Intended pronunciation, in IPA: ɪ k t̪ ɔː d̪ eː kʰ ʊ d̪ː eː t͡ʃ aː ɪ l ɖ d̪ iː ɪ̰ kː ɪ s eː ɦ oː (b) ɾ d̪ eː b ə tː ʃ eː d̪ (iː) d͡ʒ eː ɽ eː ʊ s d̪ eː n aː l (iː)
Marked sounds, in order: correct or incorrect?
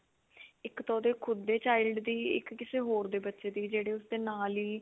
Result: incorrect: none, correct, correct

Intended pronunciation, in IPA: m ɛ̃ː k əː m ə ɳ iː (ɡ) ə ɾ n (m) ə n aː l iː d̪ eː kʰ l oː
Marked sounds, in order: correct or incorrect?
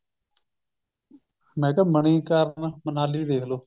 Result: incorrect: k, correct

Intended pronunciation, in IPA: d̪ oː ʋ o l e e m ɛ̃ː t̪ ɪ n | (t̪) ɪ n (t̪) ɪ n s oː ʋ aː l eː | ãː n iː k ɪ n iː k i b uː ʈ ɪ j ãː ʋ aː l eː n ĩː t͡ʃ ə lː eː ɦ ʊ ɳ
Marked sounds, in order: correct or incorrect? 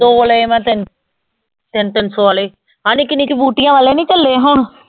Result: correct, correct

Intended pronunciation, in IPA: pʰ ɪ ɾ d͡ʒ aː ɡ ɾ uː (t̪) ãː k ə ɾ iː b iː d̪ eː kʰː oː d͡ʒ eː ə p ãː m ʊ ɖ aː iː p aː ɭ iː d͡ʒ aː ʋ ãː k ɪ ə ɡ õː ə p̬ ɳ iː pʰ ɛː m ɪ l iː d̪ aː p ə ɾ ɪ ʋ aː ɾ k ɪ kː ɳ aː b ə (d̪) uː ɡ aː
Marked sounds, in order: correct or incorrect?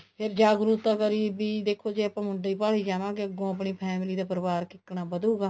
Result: correct, correct

